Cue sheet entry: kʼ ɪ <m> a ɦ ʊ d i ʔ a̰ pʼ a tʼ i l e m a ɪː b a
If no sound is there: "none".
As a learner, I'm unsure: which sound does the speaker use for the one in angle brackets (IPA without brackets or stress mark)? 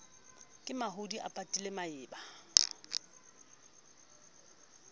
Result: m